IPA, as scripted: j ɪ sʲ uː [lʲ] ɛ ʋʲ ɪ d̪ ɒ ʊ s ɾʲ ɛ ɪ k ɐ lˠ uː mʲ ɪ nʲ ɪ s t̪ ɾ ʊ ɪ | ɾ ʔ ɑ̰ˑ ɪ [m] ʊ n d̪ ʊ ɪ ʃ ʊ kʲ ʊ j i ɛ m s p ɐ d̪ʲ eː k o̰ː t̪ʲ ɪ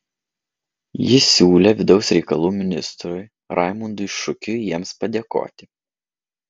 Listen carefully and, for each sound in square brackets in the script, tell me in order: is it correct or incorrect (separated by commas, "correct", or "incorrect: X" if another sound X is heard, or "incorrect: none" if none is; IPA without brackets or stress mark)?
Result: correct, correct